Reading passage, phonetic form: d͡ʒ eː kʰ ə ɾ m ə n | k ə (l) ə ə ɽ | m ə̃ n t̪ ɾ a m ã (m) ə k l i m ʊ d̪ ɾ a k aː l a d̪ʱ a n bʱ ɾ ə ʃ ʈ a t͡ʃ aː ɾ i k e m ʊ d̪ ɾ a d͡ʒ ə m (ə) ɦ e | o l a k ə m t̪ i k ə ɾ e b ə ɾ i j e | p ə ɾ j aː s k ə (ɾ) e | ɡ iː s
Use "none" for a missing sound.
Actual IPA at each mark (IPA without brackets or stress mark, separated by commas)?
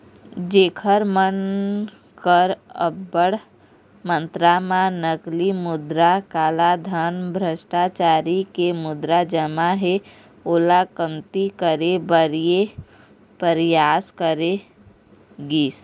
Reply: ɾ, n, a, ɾ